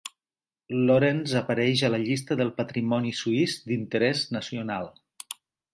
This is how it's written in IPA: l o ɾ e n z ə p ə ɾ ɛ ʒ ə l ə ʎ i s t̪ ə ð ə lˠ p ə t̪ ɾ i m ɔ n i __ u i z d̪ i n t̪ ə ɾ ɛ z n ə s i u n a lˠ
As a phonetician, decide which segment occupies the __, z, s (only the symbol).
s